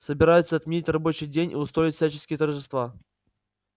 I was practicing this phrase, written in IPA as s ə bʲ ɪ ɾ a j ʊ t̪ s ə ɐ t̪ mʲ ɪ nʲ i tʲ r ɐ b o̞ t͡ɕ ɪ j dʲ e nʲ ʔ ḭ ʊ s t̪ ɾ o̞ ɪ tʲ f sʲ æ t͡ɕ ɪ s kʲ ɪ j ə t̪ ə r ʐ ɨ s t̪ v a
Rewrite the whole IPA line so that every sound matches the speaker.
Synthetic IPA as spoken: s ə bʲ ɪ ɾ a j ʊ t̪ s ə ɐ t̪ mʲ ɪ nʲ i tʲ r ɐ b o̞ t͡ɕ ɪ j dʲ e nʲ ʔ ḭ ʊ s t̪ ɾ o̞ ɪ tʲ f sʲ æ t͡ɕ ɪ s kʲ ɪ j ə t̪ ə r ʐ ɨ s t̪ v a